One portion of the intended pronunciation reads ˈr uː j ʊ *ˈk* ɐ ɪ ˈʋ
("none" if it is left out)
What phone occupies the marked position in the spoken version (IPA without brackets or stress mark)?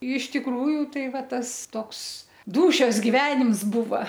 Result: t